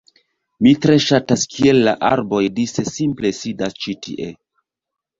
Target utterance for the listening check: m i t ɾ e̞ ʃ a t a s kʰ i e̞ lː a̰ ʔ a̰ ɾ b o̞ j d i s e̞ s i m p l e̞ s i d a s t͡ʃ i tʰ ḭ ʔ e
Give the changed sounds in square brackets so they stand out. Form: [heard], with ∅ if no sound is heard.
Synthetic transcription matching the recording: m i t ɾ e̞ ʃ a t a s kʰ i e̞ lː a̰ ʔ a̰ ɾ b o̞ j d i s e̞ s i m p l e̞ s i d a s t͡ʃ i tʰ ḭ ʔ e

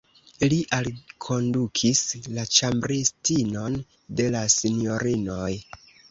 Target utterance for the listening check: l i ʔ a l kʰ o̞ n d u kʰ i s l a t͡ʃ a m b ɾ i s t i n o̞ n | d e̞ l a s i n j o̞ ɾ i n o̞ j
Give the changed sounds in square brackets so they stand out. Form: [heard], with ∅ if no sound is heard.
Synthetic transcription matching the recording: l i ʔ a l kʰ o̞ n d u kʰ i s l a t͡ʃ a m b ɾ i s t i n o̞ n | d e̞ l a s i n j o̞ ɾ i n o̞ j

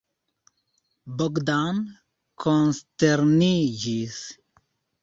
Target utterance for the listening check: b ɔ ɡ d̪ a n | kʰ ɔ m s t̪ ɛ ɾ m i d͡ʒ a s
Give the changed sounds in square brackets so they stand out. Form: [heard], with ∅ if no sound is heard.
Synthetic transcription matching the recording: b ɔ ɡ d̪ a n | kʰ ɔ [n] s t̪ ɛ ɾ [n] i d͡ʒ [i] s

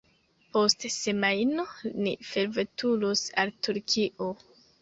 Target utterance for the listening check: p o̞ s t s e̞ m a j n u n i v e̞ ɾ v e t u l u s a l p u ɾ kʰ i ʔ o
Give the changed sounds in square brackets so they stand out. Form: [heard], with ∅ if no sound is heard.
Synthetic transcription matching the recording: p o̞ s t s e̞ m a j n [o] n i [f] e̞ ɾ v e t u l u s a l [t] u ɾ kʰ i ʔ o

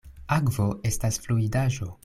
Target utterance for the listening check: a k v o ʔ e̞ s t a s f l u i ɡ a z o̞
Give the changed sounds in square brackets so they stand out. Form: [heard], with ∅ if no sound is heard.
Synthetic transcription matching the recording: a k v o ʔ e̞ s t a s f l u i [d] a [ʒ] o̞

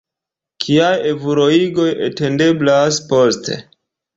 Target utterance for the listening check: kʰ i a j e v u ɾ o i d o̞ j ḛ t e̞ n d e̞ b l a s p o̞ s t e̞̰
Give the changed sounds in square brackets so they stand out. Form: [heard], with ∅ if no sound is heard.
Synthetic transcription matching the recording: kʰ i a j e v u ɾ o i [ɡ] o̞ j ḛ t e̞ n d e̞ b l a s p o̞ s t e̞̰

